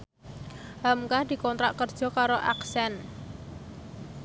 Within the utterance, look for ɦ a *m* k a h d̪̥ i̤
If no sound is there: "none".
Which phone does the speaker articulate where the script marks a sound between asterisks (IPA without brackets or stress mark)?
m